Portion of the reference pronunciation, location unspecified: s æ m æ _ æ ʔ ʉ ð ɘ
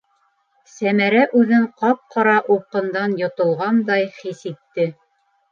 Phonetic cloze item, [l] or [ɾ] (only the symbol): ɾ